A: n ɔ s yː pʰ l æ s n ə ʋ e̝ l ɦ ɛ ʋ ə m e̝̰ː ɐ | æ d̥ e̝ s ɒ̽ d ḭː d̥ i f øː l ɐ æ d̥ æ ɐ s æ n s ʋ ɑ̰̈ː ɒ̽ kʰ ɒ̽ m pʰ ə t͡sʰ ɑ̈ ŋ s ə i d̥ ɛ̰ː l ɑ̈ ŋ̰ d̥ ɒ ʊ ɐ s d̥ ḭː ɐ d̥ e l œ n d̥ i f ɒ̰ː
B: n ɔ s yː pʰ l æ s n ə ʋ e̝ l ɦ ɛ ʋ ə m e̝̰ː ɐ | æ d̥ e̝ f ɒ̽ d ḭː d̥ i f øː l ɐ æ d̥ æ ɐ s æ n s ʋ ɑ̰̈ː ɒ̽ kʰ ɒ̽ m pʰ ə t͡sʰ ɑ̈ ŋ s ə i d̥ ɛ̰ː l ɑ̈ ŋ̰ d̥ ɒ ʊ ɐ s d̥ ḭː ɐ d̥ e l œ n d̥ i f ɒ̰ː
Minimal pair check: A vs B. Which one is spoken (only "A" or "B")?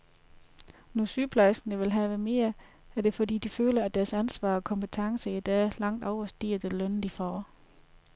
B